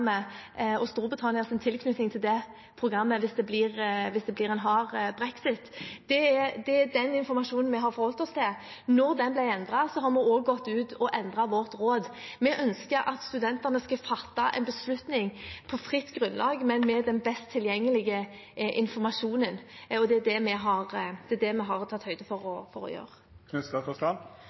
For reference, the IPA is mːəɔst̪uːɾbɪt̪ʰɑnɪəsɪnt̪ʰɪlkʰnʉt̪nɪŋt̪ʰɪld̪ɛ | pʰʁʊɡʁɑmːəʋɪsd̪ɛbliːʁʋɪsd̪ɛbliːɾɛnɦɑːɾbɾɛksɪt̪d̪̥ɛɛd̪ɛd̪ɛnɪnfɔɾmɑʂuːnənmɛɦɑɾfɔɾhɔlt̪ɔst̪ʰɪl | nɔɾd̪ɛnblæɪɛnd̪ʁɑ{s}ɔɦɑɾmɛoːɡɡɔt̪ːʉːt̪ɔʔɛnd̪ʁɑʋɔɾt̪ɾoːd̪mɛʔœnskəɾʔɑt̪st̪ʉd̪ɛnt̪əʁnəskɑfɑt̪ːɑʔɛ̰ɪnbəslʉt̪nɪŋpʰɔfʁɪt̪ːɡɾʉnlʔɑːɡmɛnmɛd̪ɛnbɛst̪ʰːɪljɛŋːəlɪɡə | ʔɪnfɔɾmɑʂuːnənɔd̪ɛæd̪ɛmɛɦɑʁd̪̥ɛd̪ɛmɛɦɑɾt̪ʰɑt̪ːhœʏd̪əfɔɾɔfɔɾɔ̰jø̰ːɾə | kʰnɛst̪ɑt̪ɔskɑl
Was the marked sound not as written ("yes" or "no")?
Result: no